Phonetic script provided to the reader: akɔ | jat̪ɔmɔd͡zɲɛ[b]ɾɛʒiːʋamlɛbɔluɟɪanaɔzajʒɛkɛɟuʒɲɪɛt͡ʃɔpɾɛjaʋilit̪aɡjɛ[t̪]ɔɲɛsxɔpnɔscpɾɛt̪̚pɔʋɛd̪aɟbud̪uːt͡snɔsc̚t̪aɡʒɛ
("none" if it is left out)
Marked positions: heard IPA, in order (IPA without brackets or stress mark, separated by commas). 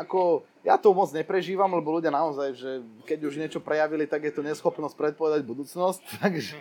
p, t̪